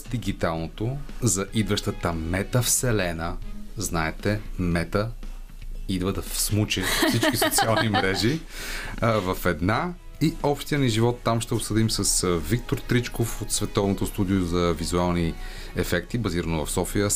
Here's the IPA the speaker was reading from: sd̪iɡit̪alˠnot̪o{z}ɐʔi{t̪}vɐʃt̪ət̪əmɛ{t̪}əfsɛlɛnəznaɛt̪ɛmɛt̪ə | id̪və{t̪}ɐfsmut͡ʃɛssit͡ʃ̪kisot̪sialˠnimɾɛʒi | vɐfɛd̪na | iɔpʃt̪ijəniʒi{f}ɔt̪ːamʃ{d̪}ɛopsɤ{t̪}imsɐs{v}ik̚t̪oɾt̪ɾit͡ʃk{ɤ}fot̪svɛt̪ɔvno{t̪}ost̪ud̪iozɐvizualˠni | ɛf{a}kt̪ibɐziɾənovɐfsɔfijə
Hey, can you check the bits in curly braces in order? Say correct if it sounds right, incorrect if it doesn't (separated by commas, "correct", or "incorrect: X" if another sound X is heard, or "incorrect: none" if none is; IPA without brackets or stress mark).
correct, incorrect: d̪, correct, incorrect: d̪, incorrect: v, incorrect: t̪, incorrect: d̪, correct, incorrect: o, correct, incorrect: ɛ